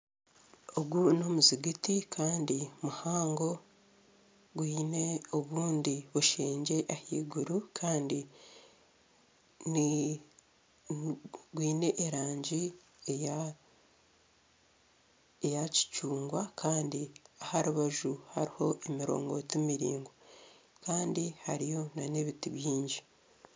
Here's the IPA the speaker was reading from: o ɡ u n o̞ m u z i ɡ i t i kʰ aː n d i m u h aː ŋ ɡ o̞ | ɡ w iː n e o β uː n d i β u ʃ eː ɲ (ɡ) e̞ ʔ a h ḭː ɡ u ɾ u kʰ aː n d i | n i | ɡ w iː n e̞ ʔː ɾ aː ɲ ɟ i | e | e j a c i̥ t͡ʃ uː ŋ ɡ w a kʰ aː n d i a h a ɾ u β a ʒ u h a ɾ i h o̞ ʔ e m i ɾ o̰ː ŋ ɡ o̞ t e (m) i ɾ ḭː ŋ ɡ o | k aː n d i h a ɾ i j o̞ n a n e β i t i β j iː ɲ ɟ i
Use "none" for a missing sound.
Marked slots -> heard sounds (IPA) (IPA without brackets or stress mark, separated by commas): ɟ, m